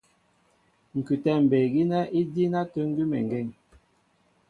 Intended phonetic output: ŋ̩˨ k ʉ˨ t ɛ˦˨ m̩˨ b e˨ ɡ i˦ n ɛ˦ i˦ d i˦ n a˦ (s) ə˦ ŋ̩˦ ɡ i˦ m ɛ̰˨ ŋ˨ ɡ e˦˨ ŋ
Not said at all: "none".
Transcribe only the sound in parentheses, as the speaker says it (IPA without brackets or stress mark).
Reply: t